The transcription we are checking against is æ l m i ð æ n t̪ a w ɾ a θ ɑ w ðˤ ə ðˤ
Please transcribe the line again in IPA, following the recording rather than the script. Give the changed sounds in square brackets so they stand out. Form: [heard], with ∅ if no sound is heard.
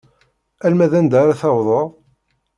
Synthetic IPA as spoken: æ l m [æ] ð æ n [d̪] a [∅] ɾ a θ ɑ w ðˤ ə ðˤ

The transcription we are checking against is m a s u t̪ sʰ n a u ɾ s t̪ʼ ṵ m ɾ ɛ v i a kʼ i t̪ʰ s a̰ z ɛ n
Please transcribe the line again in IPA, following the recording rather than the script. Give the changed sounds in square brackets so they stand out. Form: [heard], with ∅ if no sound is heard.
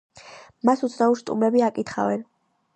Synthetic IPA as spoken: m a s u t̪ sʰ n a u ɾ s t̪ʼ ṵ m ɾ ɛ [b] i a kʼ i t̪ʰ [χ] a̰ [v] ɛ n

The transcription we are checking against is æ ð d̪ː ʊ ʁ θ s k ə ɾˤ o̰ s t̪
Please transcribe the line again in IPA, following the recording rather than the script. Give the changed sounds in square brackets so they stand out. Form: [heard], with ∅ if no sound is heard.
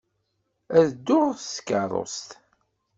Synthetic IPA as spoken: æ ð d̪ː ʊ ʁ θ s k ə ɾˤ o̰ s t̪

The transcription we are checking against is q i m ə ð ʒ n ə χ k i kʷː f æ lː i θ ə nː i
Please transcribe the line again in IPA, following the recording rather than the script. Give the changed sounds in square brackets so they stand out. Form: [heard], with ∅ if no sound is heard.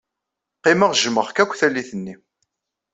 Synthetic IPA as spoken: q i m ə [ʁ] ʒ [m] ə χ k [æ] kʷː [θ] æ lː i θ ə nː i

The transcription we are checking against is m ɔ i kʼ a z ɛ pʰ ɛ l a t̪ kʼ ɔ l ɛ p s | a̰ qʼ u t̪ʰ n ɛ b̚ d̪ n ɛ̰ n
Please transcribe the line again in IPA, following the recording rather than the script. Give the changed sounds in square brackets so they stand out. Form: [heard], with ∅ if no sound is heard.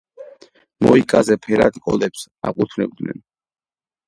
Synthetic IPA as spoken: m ɔ i kʼ a z ɛ pʰ ɛ [ɾ] a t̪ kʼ ɔ l ɛ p s | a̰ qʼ u t̪ʰ n ɛ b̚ d̪ n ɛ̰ n

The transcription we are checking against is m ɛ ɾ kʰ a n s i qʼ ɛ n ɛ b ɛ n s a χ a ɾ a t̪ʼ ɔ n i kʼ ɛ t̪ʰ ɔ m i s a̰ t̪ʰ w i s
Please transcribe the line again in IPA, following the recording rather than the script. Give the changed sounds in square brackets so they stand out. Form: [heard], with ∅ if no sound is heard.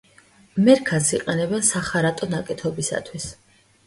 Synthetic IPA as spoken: m ɛ ɾ kʰ a n s i qʼ ɛ n ɛ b ɛ n s a χ a ɾ a t̪ʼ ɔ n [a] kʼ ɛ t̪ʰ ɔ [b] i s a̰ t̪ʰ w i s

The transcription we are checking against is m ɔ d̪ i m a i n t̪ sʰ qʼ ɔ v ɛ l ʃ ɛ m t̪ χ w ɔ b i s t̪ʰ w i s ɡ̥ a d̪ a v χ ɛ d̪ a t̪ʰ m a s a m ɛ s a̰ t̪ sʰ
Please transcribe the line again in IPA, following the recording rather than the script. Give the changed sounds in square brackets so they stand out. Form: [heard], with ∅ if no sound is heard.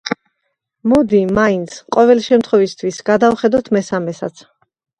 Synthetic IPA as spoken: m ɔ d̪ i m a i n t̪ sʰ qʼ ɔ v ɛ l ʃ ɛ m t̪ χ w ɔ [v] i s t̪ʰ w i s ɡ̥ a d̪ a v χ ɛ d̪ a t̪ʰ m [ɛ] s a m ɛ s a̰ t̪ sʰ

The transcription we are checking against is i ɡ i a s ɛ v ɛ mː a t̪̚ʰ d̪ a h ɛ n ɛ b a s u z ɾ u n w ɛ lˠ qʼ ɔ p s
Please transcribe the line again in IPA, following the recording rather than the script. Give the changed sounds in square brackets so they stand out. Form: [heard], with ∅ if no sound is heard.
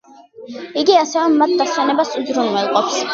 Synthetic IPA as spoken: i ɡ i a s ɛ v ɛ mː a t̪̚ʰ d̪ a [s] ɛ n ɛ b a s u z ɾ u n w ɛ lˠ qʼ ɔ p s

